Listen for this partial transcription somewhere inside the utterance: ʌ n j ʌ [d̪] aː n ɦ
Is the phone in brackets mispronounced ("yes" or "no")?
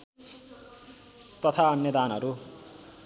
no